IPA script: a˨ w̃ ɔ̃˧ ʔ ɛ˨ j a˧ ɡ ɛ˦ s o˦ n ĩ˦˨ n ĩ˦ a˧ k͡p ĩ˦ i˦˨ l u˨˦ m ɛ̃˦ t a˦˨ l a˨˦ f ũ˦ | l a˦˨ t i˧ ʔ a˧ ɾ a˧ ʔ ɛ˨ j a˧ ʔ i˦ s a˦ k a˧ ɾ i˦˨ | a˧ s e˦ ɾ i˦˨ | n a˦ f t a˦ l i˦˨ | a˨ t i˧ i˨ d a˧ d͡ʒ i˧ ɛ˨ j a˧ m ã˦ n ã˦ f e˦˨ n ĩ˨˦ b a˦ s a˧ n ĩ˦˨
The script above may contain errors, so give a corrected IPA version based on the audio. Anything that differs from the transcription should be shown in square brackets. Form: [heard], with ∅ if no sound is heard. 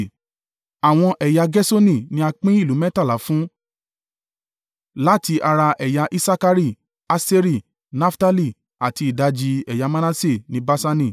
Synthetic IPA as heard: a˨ w̃ ɔ̃˧ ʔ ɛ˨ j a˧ ɡ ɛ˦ s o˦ n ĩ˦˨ n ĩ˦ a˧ k͡p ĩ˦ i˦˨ l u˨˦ m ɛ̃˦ t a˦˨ l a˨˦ f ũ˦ | l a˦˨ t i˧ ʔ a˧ ɾ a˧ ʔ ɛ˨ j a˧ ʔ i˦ s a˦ k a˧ ɾ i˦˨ | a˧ s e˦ ɾ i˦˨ | n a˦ f t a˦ l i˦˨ | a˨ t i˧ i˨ d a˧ d͡ʒ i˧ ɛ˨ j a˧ m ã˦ n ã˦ [s] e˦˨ n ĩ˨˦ b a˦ s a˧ n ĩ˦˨